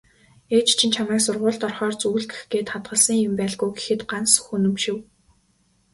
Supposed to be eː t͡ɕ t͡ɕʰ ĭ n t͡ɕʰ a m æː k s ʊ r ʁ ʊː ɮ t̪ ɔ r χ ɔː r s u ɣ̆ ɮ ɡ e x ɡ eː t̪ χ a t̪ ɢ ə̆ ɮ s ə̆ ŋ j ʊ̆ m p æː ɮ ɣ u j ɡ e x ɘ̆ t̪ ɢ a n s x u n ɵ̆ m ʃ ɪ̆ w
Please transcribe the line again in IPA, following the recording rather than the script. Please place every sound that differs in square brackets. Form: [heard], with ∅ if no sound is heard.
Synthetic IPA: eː t͡ɕ t͡ɕʰ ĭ n t͡ɕʰ a m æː k s ʊ r ʁ ʊː ɮ t̪ ɔ r χ ɔː r [t͡s] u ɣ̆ ɮ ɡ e x ɡ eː t̪ χ a t̪ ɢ ə̆ ɮ s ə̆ ŋ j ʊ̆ m p æː ɮ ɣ u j ɡ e x ɘ̆ t̪ ɢ a n s x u n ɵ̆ m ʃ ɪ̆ w